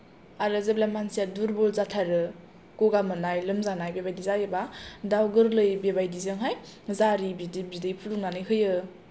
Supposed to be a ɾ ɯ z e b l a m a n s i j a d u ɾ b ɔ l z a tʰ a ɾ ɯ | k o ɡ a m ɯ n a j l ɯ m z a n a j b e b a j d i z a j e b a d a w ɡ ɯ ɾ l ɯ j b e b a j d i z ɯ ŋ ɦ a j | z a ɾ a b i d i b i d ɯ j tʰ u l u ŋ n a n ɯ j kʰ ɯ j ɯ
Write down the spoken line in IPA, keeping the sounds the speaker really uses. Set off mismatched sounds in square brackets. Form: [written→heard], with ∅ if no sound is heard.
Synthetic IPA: a ɾ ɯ z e b l a m a n s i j a d u ɾ b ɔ l z a tʰ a ɾ ɯ | k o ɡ a m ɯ n a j l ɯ m z a n a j b e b a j d i z a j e b a d a w ɡ ɯ ɾ l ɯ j b e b a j d i z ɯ ŋ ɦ a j | z a ɾ [a→i] b i d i b i d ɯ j [tʰ→pʰ] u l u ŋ n a n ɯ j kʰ ɯ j ɯ